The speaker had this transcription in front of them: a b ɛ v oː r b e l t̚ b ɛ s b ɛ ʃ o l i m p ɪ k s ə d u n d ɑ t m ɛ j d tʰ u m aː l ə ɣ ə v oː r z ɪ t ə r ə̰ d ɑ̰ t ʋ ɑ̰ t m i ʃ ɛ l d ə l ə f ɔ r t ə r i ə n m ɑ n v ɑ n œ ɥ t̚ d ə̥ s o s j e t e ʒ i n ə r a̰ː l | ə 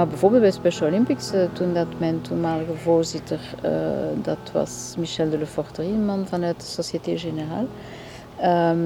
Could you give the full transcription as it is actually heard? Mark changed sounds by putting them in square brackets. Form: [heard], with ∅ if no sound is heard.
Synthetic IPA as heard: a b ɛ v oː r b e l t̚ b ɛ s [p] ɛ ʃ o l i m p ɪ k s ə [t] u n d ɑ t m ɛ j [n] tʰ u m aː l ə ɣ ə v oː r z ɪ t ə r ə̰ d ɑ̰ t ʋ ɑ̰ [s] m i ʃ ɛ l d ə l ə f ɔ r t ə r i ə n m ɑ n v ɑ n œ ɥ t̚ d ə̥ s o s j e t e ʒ [e] n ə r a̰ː l | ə